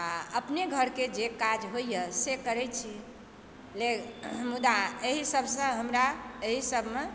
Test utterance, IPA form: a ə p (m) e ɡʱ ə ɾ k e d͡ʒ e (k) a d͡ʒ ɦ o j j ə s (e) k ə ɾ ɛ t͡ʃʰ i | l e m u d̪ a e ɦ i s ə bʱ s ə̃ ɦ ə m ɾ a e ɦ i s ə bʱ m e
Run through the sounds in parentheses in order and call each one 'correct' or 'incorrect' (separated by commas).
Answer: incorrect, correct, correct